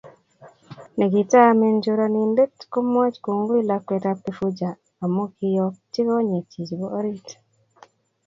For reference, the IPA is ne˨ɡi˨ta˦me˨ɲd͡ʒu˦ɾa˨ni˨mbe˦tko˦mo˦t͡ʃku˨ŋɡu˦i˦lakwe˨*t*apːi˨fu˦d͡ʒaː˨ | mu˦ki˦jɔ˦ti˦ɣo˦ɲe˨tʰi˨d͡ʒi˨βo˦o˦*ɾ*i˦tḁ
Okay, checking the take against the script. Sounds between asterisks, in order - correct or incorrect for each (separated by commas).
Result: correct, correct